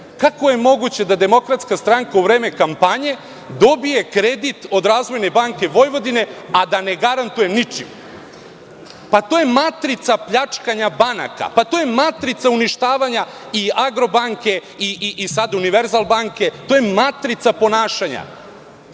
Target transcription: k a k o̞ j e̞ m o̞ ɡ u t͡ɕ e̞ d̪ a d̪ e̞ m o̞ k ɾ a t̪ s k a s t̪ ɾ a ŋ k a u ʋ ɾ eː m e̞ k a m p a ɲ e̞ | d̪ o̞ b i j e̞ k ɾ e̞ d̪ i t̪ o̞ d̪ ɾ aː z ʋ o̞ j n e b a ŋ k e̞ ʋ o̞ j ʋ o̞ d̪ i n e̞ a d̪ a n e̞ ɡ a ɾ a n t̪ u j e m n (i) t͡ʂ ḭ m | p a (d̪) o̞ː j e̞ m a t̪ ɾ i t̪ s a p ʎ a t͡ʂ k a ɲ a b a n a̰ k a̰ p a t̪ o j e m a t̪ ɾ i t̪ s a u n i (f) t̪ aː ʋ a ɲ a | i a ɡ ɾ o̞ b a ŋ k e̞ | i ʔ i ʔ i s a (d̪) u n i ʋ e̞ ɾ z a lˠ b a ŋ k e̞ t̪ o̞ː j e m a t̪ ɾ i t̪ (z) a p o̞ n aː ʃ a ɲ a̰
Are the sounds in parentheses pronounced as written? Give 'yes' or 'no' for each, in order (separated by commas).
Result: yes, no, no, yes, no